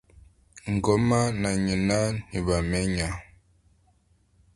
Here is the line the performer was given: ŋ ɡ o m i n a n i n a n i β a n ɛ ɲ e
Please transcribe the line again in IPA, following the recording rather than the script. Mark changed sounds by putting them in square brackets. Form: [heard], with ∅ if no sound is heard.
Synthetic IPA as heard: ŋ ɡ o m [a] n a [ɲ] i n a n i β a [m] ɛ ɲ [a]